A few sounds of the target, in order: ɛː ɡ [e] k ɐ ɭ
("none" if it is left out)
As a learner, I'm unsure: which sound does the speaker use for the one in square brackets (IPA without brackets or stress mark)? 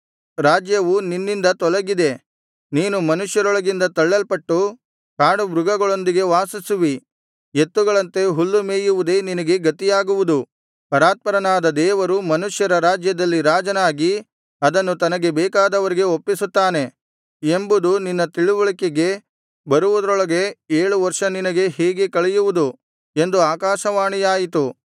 e